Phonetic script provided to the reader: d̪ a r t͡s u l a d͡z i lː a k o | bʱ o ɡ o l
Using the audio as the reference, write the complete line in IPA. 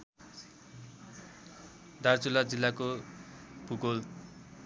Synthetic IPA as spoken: d̪ a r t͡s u l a d͡z i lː a k o | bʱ u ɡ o l